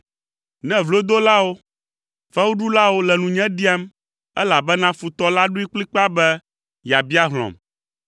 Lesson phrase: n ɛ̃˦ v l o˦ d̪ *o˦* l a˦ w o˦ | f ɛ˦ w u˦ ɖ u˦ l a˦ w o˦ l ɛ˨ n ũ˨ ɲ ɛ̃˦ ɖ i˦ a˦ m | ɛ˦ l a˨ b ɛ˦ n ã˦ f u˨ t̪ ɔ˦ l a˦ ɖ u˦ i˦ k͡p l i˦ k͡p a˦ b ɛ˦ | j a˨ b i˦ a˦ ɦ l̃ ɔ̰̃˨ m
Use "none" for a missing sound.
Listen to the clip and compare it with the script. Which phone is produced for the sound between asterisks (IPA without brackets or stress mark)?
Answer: o˦